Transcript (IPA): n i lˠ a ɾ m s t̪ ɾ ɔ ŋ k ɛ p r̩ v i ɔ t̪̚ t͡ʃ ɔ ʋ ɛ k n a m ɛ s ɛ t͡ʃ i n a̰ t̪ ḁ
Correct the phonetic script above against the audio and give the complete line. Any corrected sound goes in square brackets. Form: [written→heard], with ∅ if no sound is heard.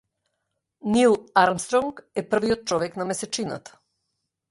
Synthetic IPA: n i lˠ a ɾ m s t̪ ɾ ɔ ŋ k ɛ p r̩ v i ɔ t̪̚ t͡ʃ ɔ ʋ ɛ k n a m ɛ s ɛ t͡ʃ i n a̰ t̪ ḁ